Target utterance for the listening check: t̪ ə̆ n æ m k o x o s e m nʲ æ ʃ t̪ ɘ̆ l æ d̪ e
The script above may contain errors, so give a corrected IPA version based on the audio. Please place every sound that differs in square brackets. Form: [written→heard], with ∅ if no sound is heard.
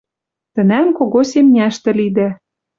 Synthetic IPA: t̪ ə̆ n æ m k o [x→ɣ] o s e m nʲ æ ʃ t̪ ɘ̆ l [æ→i] d̪ [e→æ]